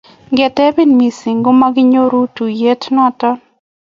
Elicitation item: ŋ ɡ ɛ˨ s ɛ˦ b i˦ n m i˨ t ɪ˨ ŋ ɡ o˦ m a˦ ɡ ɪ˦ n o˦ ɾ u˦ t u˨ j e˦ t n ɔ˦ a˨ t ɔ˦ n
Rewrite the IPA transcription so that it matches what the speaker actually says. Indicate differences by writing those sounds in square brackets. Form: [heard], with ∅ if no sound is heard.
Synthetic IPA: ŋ ɡ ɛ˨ [t] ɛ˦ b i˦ n m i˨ [s] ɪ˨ ŋ ɡ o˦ m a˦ ɡ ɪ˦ [ɲ] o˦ ɾ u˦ t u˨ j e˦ t n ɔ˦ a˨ t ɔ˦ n